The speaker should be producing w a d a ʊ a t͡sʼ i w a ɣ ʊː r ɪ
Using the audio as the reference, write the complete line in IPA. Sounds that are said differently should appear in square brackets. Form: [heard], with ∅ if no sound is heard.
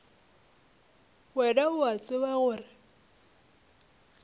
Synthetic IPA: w [ɛ] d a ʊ a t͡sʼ [ɪ] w a ɣ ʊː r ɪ